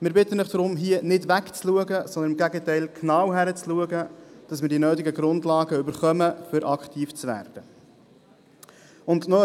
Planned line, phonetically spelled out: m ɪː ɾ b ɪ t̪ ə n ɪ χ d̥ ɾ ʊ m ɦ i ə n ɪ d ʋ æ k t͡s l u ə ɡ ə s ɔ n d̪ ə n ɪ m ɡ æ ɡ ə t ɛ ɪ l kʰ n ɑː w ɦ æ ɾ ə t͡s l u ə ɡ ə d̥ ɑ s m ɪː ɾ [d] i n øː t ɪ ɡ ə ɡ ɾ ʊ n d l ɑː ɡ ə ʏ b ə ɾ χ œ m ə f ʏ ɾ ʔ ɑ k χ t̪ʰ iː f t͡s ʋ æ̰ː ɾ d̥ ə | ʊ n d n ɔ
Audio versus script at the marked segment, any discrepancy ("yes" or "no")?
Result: no